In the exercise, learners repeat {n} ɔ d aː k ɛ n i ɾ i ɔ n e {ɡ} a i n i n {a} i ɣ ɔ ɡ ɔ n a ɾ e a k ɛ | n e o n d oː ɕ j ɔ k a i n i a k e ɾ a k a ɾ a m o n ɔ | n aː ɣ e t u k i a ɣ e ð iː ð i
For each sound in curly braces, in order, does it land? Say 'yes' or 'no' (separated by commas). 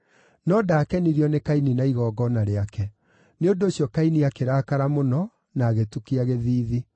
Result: yes, no, yes